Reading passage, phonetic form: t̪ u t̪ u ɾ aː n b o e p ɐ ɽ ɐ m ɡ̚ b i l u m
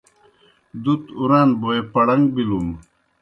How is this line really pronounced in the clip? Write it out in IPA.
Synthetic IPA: d̪ u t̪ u ɾ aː n b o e p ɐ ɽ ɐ ŋ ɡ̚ b i l u m